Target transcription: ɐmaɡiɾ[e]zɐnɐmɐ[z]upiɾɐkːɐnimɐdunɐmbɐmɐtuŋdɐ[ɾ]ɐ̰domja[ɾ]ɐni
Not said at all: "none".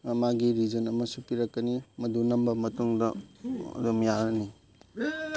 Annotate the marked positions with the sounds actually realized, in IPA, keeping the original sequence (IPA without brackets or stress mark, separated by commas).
i, s, none, ɾ